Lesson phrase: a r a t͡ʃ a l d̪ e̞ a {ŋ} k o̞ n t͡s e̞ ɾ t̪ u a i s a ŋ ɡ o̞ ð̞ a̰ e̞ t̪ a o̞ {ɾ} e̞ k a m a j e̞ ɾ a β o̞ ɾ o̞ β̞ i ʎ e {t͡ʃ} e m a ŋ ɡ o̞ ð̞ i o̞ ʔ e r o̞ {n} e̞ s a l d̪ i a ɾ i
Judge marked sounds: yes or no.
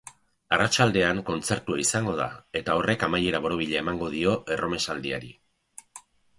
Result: yes, no, no, no

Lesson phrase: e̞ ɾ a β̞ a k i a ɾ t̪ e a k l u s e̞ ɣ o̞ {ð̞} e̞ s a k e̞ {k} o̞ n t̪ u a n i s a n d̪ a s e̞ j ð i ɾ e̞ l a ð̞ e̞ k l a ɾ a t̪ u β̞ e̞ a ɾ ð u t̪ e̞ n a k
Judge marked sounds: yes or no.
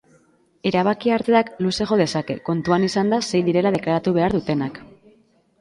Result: yes, yes

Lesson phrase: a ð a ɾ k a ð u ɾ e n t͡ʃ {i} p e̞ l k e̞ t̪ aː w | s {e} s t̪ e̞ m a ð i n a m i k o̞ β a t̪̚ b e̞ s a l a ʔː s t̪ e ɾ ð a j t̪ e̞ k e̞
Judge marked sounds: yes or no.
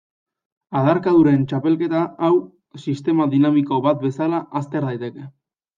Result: no, no

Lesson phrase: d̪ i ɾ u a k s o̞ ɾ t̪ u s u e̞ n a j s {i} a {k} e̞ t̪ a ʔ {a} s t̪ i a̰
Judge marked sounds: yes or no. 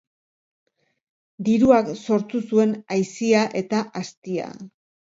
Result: yes, no, yes

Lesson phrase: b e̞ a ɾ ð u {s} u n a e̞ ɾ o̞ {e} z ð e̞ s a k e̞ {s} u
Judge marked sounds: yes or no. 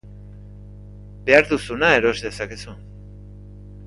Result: yes, yes, yes

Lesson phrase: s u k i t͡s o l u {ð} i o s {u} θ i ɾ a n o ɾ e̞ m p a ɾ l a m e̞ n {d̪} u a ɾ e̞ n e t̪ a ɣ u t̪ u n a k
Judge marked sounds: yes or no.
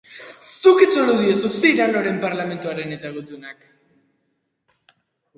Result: yes, yes, no

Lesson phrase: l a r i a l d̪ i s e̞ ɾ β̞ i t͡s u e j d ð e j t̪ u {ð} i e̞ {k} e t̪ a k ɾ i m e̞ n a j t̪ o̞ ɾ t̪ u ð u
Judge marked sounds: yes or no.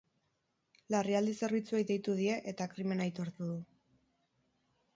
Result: yes, no

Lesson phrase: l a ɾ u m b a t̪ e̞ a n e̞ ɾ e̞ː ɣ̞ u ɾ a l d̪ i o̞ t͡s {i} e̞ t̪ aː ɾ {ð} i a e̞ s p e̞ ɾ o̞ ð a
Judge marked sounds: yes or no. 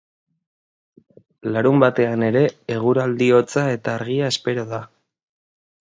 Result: no, no

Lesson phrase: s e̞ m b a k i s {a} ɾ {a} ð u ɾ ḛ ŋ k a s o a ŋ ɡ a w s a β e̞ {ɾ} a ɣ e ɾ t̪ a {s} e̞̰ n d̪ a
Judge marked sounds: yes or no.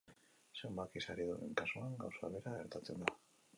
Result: yes, no, yes, no

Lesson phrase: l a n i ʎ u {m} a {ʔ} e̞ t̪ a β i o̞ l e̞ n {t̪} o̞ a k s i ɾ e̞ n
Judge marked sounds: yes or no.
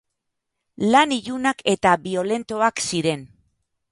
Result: no, no, yes

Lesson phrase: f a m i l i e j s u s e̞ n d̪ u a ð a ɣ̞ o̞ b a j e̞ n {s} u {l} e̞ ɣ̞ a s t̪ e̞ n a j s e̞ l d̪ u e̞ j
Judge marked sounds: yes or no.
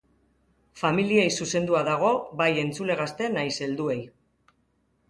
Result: no, yes

